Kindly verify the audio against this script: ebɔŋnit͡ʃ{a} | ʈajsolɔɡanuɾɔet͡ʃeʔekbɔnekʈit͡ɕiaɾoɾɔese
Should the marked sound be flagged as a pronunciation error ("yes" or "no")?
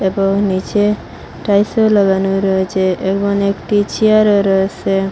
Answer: yes